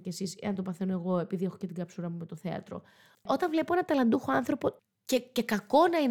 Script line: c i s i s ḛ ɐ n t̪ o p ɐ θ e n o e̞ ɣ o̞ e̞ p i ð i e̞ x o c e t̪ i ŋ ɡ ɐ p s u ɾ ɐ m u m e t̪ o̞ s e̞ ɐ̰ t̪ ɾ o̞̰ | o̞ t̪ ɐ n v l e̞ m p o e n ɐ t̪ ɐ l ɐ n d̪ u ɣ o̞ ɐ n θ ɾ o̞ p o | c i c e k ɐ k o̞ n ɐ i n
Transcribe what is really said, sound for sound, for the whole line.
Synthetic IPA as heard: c e s i s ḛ ɐ n t̪ o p ɐ θ e n o e̞ ɣ o̞ e̞ p i ð i e̞ x o c e t̪ i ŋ ɡ ɐ p s u ɾ ɐ m u m e t̪ o̞ θ e̞ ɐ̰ t̪ ɾ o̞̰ | o̞ t̪ ɐ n v l e̞ p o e n ɐ t̪ ɐ l ɐ n d̪ u x o̞ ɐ n θ ɾ o̞ p o | c e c e k ɐ k o̞ n ɐ i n